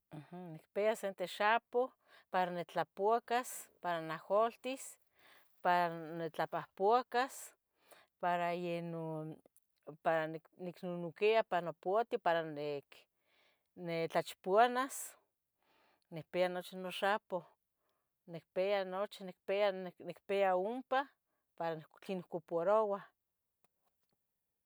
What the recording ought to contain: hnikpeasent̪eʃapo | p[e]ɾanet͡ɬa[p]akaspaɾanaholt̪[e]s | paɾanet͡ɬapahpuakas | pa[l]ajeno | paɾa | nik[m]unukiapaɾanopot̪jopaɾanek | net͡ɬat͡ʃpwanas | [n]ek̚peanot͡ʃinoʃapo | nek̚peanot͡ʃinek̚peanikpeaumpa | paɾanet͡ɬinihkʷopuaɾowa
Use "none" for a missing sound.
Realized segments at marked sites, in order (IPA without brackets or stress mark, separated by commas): a, p, i, ɾ, n, n